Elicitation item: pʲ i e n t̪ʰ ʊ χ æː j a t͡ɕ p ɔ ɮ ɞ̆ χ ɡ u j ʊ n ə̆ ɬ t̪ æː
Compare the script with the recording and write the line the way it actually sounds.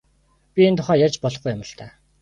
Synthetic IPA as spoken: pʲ i e n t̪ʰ ʊ χ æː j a t͡ɕ p ɔ ɮ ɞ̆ χ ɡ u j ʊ m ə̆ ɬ t̪ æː